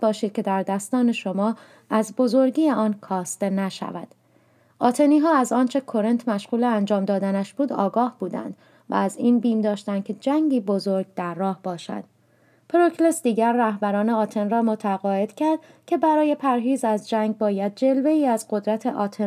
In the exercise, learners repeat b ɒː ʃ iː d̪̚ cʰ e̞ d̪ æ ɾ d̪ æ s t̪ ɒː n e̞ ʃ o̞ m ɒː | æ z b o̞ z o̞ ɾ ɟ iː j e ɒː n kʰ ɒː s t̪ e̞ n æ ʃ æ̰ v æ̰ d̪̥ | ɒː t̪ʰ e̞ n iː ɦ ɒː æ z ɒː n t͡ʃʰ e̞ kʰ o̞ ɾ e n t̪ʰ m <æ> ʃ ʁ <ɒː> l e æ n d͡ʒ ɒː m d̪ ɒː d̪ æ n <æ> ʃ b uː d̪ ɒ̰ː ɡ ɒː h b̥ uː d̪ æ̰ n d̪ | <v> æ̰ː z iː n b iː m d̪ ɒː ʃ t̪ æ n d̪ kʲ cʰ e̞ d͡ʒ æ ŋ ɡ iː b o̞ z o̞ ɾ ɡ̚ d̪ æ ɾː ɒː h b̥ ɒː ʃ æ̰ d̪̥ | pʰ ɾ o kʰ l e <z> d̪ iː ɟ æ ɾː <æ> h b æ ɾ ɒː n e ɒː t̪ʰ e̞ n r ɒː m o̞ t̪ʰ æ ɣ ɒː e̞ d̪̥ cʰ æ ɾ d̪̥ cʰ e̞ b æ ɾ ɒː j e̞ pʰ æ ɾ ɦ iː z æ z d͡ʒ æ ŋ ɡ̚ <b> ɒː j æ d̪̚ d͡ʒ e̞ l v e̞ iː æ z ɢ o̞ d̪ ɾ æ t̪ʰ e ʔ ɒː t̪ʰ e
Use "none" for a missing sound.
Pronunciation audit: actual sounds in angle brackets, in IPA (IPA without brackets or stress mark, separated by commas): æ, uː, æ, v, s, æ, b